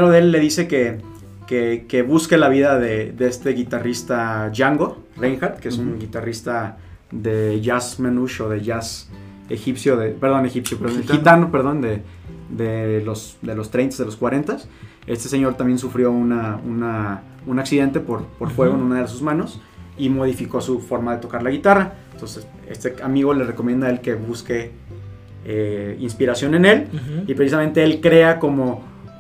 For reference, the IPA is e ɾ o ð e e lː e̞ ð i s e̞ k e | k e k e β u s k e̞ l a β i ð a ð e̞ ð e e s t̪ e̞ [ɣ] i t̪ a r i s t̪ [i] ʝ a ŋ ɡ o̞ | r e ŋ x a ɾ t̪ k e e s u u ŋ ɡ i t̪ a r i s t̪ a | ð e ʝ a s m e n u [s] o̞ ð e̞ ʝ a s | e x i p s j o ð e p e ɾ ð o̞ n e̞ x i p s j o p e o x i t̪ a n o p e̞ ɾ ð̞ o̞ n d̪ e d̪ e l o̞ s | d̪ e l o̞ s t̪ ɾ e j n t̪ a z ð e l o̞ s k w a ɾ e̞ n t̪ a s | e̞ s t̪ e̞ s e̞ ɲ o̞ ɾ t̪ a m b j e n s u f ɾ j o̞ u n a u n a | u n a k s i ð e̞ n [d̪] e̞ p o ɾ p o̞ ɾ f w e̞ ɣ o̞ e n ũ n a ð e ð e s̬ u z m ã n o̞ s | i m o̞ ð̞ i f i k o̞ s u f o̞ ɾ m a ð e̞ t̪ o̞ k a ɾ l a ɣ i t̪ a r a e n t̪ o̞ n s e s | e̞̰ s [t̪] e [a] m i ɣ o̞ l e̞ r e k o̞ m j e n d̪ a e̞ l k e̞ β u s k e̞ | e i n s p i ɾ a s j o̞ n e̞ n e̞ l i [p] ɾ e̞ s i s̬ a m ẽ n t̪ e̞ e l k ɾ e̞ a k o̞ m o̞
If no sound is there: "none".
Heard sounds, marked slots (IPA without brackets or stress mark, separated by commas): ɣ, a, ʃ, t̪, t̪, a, p